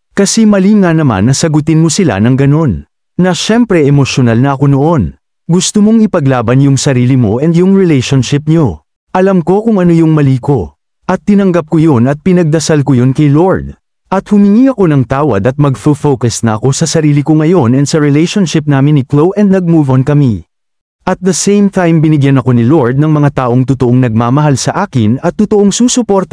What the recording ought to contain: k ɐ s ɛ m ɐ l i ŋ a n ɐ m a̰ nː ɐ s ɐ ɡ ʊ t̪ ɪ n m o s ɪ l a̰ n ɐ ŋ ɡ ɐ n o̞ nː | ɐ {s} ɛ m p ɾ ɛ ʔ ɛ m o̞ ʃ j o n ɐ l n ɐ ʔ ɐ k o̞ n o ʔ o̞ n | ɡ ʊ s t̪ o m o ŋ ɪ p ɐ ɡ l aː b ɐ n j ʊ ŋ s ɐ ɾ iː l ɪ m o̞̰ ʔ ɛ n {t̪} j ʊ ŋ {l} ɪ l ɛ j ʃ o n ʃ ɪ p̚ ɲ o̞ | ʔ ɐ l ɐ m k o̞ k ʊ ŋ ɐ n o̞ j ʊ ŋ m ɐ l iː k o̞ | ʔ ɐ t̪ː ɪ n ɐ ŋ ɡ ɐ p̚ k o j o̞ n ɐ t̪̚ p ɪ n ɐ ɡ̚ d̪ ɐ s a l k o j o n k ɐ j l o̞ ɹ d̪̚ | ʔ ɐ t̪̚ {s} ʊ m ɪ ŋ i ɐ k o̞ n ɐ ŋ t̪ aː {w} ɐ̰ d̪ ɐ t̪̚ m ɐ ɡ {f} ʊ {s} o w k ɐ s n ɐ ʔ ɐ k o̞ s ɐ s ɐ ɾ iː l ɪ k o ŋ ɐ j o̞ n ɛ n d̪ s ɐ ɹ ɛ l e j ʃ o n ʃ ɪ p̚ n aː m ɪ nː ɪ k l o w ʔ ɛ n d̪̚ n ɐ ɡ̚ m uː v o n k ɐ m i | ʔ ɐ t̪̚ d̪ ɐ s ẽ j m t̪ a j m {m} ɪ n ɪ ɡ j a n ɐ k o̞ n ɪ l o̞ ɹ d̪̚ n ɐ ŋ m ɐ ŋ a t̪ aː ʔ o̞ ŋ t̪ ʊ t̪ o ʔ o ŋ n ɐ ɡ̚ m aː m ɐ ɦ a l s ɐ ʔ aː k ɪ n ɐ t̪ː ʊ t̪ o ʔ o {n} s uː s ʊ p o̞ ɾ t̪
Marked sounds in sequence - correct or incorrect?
incorrect, incorrect, incorrect, incorrect, correct, correct, incorrect, incorrect, incorrect

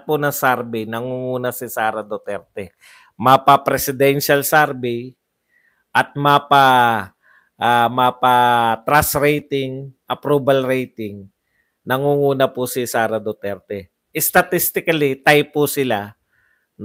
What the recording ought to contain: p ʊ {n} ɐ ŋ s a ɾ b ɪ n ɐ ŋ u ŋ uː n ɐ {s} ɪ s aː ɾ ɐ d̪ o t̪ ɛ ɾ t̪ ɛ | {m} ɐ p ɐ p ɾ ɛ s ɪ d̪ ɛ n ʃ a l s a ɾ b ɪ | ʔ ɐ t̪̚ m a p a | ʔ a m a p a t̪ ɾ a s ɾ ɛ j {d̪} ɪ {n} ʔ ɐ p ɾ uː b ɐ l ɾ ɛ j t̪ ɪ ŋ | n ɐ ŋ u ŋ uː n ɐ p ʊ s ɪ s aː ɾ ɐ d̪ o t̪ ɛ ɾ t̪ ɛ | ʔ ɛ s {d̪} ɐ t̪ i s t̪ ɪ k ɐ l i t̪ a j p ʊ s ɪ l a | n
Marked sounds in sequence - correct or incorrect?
correct, correct, correct, incorrect, incorrect, incorrect

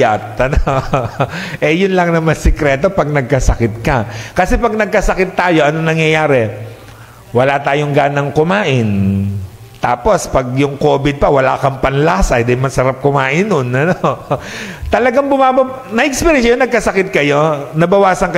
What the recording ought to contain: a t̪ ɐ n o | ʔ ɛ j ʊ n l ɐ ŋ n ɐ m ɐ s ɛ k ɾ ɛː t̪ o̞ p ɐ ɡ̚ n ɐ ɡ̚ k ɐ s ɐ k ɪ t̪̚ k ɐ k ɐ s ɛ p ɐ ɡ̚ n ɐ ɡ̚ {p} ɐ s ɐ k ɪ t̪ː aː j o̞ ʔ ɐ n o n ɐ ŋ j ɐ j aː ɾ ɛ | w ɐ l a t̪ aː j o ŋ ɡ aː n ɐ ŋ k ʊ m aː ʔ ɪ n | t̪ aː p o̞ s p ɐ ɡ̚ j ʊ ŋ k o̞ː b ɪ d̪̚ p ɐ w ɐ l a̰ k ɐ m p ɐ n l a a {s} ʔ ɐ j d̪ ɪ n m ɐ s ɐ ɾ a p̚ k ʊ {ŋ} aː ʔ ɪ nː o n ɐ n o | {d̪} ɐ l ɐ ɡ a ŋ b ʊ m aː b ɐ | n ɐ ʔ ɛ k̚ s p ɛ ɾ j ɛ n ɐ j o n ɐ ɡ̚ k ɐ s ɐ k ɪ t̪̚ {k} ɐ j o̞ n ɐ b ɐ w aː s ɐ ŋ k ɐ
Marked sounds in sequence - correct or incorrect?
incorrect, correct, incorrect, incorrect, correct

